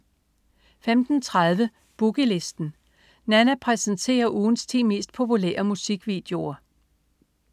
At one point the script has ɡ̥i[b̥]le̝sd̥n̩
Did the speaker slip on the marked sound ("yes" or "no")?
yes